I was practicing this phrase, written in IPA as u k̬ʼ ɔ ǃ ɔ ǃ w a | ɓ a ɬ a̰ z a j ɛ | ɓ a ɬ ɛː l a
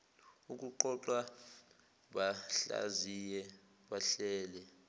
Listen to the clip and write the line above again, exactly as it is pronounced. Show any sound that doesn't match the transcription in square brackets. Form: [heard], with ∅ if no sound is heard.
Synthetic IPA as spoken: u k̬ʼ [u] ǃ ɔ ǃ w a | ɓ a ɬ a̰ z [i] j ɛ | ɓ a ɬ ɛː l [ɛ]